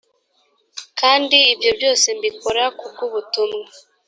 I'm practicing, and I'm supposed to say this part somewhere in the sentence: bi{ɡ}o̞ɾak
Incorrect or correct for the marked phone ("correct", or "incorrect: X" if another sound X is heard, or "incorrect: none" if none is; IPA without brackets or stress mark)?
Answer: incorrect: k